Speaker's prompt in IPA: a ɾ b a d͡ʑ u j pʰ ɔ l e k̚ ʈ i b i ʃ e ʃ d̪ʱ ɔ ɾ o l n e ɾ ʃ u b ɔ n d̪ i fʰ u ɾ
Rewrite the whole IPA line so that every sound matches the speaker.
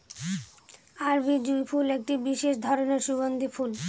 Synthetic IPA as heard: a ɾ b i d͡ʑ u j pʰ u l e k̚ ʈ i b i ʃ e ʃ d̪ʱ ɔ ɾ o n e ɾ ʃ u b o n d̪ i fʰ u l